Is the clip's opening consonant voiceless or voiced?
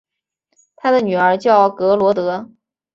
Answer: voiceless